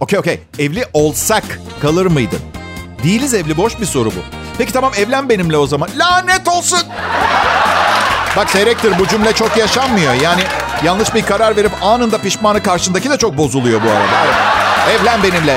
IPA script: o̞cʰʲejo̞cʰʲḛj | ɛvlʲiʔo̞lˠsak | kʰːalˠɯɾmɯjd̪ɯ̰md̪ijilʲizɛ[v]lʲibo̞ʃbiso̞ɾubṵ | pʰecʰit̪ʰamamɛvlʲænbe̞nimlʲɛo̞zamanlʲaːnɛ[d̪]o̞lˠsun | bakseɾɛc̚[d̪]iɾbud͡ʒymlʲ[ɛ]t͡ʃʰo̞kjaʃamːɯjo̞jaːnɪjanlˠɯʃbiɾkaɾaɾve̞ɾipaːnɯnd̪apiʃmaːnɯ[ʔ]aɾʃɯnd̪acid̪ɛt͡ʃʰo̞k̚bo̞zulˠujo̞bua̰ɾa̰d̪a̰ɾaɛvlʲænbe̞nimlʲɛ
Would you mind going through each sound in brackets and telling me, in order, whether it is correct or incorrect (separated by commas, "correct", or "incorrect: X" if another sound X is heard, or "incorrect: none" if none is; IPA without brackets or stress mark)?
correct, incorrect: t̪, incorrect: t̪, correct, incorrect: k